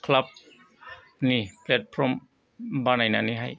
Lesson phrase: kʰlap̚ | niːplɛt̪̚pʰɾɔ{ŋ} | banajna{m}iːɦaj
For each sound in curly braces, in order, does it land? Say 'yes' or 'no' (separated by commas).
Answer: no, no